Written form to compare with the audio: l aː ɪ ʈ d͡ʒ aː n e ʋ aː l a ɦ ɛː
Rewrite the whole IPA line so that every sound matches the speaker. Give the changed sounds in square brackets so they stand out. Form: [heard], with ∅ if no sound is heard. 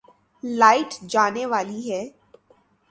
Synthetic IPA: l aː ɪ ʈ d͡ʒ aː n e ʋ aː l [i] ɦ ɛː